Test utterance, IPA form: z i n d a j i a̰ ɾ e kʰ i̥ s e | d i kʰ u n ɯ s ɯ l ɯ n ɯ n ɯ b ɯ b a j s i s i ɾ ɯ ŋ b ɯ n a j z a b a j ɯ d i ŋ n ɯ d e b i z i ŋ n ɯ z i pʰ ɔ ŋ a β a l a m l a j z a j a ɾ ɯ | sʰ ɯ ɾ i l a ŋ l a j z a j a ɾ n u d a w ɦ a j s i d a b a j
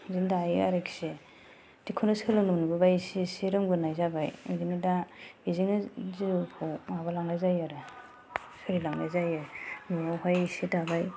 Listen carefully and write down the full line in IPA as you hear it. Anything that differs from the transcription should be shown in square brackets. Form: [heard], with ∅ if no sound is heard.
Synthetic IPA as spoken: z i n d a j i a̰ ɾ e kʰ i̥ s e | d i kʰ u n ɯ s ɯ l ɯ n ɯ n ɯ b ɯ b a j s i s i ɾ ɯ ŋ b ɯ n a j z a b a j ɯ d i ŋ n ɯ d [a] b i z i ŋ n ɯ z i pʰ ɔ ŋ a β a l a [ŋ] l a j z a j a ɾ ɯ | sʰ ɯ ɾ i l a ŋ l a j z a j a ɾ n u [∅] a w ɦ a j s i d a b a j